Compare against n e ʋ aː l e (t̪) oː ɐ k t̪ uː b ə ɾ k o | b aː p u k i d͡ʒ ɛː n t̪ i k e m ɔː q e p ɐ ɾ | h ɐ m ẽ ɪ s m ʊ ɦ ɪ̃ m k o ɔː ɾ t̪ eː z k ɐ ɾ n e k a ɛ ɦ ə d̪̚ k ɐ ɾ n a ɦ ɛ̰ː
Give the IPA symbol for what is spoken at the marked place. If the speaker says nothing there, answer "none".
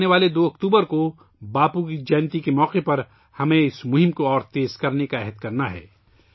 d̪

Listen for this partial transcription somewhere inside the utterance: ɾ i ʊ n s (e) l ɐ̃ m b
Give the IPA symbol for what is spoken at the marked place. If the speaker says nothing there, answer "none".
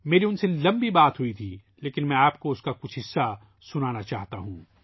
e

